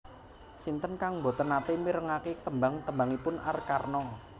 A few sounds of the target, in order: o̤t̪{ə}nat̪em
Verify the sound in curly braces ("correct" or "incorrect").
correct